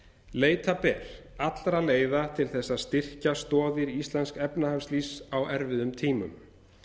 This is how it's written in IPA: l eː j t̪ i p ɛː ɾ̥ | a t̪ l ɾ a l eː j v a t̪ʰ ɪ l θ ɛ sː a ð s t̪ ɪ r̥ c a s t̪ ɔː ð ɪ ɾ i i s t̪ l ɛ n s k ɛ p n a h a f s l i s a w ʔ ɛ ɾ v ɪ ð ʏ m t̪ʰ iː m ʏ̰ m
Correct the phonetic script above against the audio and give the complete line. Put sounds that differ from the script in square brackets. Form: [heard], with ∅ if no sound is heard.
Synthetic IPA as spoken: l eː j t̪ [a] p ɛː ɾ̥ | a t̪ l ɾ a l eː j [ð] a t̪ʰ ɪ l θ ɛ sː a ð s t̪ ɪ r̥ c a s t̪ ɔː ð ɪ ɾ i i s t̪ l ɛ n s k ɛ p n a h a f s l i s a w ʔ ɛ ɾ v ɪ ð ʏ m t̪ʰ iː m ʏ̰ m